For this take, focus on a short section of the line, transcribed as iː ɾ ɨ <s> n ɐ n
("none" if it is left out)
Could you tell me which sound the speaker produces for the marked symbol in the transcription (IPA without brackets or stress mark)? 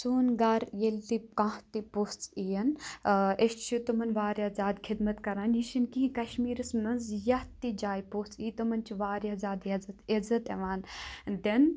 s